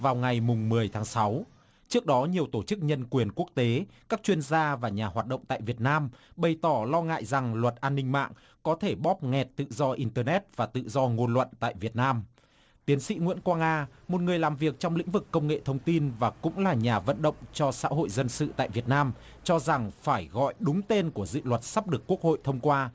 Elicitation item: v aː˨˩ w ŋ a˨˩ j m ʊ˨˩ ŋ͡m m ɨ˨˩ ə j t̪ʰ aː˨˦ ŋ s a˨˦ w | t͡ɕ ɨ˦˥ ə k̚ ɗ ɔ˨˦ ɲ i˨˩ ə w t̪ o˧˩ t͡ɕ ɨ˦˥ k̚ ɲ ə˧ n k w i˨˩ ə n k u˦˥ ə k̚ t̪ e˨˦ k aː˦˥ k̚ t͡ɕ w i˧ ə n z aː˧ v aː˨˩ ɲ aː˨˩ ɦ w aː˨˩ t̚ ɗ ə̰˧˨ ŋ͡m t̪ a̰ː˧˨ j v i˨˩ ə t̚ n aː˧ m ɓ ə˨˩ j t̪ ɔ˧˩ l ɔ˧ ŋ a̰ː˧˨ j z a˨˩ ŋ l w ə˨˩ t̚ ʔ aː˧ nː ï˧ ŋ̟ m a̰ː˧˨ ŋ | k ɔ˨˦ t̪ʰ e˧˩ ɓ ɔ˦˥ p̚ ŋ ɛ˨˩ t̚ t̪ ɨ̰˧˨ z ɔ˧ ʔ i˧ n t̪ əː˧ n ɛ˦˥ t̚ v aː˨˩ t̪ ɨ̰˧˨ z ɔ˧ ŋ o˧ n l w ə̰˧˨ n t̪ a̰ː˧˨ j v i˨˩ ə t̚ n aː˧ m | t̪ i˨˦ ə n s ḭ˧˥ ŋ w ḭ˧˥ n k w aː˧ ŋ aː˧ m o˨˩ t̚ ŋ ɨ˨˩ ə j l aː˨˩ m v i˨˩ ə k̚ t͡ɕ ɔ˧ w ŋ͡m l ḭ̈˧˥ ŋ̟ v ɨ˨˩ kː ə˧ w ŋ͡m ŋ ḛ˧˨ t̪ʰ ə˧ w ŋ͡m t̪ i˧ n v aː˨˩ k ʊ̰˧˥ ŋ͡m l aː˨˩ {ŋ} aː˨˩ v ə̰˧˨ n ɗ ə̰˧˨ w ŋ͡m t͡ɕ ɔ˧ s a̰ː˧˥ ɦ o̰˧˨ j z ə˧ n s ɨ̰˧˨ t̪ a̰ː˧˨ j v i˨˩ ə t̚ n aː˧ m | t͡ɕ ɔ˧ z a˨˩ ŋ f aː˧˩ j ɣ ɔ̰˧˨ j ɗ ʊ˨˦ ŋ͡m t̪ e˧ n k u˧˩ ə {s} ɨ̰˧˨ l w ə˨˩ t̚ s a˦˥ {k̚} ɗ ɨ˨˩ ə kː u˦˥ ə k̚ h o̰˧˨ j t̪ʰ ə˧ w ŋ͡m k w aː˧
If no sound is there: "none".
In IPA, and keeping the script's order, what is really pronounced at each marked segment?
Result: ɲ, z, p̚

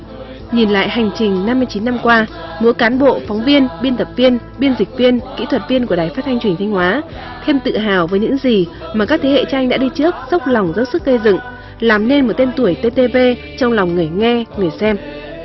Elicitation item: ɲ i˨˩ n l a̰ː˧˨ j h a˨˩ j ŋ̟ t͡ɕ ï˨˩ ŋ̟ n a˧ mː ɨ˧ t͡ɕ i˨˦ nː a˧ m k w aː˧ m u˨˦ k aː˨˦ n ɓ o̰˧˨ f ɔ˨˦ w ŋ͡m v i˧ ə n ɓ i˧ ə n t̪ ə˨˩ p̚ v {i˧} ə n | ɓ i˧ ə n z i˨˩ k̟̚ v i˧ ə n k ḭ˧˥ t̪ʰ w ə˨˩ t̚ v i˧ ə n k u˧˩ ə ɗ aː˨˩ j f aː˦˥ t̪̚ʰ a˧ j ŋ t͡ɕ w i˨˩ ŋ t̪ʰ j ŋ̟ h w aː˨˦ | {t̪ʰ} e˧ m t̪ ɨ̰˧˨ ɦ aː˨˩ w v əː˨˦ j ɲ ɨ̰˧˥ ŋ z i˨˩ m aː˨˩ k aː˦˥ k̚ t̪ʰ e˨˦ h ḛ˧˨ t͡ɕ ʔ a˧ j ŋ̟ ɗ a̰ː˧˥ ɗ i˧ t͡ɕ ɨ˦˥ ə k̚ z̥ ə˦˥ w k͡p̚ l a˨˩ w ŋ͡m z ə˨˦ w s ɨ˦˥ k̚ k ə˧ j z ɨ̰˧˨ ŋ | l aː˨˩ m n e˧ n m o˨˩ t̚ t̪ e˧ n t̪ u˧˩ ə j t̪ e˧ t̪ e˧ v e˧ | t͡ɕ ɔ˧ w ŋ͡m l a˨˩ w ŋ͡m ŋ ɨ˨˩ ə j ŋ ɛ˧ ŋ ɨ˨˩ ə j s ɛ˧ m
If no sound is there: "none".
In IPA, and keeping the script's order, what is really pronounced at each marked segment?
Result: i˧, t̪ʰ

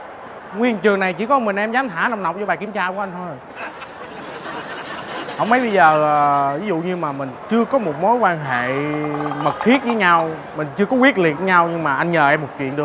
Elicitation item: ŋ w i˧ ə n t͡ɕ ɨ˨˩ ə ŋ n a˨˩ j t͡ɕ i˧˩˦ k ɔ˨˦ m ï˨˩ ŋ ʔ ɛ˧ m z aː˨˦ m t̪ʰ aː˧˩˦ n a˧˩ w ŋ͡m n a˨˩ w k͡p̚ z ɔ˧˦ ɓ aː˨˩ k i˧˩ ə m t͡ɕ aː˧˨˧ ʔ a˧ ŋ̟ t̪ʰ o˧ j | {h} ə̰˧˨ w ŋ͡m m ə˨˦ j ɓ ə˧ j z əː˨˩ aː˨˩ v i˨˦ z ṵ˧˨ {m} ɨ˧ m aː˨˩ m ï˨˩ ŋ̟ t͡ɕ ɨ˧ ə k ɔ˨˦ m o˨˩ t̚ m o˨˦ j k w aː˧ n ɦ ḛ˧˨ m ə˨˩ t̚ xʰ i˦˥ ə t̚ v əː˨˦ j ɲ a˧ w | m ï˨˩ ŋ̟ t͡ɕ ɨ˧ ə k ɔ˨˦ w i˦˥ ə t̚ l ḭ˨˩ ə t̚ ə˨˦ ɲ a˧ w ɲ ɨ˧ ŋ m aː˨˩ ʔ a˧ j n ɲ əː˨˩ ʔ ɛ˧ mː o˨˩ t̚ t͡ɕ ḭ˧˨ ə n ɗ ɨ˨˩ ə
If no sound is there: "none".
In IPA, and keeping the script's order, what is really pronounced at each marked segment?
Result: h, ɲ

